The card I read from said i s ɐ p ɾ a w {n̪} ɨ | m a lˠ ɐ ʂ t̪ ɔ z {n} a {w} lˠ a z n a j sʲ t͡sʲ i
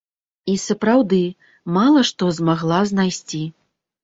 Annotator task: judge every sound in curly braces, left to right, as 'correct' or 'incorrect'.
incorrect, incorrect, incorrect

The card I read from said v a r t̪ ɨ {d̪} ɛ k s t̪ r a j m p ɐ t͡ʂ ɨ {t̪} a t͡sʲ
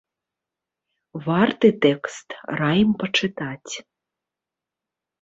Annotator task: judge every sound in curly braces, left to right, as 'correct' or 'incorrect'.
incorrect, correct

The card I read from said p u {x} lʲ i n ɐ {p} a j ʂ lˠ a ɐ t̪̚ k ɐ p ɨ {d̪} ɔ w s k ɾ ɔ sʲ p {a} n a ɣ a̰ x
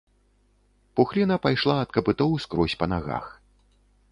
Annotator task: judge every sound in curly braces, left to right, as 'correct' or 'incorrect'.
correct, correct, incorrect, incorrect

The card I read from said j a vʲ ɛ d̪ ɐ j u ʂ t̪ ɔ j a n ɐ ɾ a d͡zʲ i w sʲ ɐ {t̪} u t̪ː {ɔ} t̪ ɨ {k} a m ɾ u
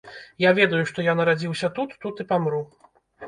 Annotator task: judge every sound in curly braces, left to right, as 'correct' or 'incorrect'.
correct, incorrect, incorrect

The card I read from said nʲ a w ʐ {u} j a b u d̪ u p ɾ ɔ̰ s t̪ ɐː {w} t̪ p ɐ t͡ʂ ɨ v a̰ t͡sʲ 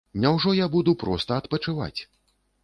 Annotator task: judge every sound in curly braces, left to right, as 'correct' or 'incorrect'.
incorrect, incorrect

